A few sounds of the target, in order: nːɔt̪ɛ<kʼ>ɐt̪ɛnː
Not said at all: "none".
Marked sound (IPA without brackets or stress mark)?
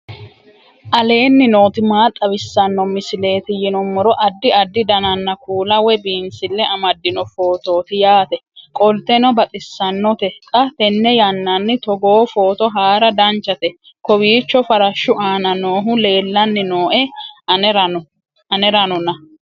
kʼ